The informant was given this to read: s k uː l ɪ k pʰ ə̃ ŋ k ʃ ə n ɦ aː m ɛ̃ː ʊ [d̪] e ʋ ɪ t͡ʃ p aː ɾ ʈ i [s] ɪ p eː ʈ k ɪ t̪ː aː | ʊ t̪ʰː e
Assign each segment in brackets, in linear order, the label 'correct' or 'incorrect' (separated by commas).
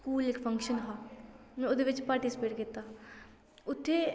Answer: correct, correct